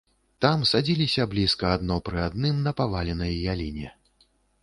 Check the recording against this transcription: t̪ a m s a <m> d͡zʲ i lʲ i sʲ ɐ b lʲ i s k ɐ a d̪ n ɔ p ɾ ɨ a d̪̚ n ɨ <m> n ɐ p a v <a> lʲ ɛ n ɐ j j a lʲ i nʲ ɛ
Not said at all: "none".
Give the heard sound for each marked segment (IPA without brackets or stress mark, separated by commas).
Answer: none, m, a